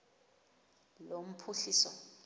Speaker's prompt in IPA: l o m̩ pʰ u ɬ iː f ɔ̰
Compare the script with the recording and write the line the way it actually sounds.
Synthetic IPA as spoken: l o m̩ pʰ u ɬ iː s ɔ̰